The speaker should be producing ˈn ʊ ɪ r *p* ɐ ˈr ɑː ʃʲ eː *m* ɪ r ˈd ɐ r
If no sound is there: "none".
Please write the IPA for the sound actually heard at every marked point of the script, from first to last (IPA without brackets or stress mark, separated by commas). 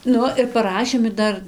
p, m